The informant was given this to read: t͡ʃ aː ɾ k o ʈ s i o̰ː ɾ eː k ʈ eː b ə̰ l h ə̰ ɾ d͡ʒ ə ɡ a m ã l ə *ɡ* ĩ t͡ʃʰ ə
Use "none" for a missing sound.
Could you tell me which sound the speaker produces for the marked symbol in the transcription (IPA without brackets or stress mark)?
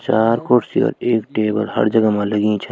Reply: ɡ